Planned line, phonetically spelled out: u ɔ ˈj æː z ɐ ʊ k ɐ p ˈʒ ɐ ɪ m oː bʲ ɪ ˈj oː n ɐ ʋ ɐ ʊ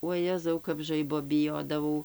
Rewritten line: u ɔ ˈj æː z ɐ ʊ k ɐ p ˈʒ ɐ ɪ b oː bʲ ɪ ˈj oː d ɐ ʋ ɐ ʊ